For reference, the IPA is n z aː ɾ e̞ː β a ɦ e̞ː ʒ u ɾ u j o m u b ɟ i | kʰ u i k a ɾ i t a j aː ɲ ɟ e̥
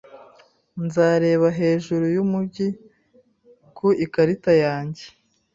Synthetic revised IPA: n z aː ɾ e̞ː β a ɦ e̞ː ʒ u ɾ u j u m u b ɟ i | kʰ u i k a ɾ i t a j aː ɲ ɟ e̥